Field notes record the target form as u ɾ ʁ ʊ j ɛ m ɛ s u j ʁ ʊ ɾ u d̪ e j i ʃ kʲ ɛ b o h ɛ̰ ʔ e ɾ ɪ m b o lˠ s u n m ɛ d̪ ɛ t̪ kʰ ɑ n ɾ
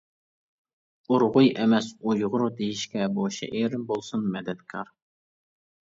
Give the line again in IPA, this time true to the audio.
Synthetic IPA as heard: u ɾ ʁ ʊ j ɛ m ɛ s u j ʁ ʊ ɾ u d̪ e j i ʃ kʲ ɛ b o ʃ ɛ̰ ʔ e ɾ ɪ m b o lˠ s u n m ɛ d̪ ɛ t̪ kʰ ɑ ɾ